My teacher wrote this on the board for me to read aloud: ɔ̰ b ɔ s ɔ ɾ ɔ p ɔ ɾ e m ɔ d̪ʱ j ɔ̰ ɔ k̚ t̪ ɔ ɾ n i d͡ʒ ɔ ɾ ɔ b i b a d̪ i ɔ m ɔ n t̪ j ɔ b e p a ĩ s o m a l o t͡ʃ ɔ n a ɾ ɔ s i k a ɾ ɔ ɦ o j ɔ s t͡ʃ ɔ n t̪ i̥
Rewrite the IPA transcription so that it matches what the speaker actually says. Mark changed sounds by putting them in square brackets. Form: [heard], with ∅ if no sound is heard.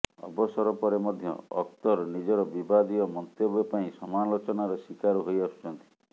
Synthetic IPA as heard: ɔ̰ b ɔ s ɔ ɾ ɔ p ɔ ɾ e m ɔ d̪ʱ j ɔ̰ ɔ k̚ t̪ ɔ ɾ n i d͡ʒ ɔ ɾ ɔ b i b a d̪ i ɔ m ɔ n t̪ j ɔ b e p a ĩ s [ɔ] m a l o t͡ʃ ɔ n a ɾ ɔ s i k a ɾ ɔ ɦ o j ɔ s t͡ʃ ɔ n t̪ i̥